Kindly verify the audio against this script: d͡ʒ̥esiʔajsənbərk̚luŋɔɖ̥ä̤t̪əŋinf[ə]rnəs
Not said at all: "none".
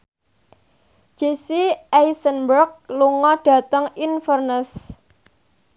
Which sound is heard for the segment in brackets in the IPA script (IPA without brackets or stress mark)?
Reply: ə